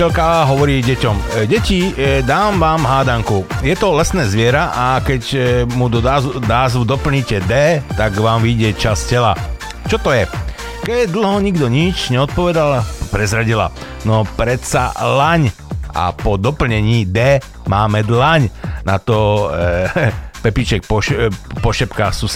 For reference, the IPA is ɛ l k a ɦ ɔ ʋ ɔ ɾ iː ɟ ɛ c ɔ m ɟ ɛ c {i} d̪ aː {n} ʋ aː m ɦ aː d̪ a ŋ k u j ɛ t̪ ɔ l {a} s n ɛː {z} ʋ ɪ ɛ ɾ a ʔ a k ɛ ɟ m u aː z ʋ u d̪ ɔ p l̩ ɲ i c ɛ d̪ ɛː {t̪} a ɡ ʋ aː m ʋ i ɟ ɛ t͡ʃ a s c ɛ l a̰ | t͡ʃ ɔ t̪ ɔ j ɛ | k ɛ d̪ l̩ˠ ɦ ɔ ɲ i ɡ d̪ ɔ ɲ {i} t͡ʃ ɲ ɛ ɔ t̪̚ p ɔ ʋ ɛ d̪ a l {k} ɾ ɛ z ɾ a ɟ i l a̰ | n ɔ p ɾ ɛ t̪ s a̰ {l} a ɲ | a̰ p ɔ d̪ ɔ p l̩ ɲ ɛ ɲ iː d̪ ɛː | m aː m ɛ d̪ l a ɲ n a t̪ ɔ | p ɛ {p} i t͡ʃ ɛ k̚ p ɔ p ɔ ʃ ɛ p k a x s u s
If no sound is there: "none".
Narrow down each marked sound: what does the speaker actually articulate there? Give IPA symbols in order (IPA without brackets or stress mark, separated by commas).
i, m, ɛ, z, t̪, i, p, l, p